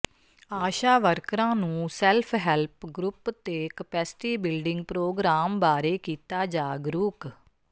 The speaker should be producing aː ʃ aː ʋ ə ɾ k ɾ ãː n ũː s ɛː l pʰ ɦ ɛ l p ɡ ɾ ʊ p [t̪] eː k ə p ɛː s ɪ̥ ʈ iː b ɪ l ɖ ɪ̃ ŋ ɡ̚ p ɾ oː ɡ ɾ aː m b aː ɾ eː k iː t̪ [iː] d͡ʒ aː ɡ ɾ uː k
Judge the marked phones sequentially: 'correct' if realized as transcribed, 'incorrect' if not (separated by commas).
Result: correct, incorrect